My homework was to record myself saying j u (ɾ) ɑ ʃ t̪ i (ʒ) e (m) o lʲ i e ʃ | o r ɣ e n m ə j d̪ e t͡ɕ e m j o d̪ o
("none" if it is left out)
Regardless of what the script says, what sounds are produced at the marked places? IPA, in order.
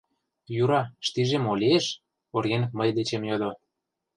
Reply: ɾ, ʒ, m

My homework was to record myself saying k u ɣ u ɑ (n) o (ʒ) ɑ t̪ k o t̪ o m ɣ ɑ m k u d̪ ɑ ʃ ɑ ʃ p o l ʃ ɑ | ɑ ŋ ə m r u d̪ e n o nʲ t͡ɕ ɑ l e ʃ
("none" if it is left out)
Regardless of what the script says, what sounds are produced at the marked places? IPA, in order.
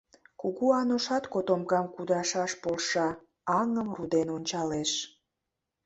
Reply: n, ʃ

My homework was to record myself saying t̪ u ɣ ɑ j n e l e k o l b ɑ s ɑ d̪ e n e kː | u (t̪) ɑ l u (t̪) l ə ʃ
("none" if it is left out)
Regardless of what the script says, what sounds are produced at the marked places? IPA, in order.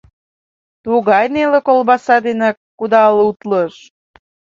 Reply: d̪, t̪

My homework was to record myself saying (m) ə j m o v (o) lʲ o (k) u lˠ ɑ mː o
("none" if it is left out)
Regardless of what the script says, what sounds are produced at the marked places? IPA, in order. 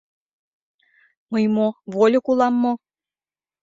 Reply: m, o, k

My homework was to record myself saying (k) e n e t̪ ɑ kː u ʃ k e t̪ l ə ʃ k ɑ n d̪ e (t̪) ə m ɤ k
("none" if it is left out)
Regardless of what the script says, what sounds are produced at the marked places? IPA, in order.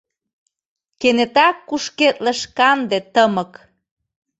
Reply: k, t̪

